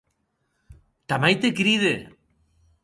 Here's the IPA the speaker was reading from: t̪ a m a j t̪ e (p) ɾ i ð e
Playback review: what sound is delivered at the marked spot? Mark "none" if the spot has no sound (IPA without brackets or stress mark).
k